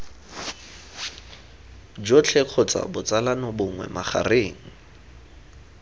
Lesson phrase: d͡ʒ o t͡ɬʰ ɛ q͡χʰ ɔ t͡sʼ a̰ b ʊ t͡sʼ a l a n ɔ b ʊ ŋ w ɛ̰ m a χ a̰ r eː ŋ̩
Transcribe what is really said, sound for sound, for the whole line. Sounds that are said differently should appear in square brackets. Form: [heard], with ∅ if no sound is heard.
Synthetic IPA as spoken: d͡ʒ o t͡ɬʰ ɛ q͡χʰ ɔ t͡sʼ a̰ b ʊ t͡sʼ a l a n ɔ b ʊ ŋ w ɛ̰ m a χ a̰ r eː ŋ̩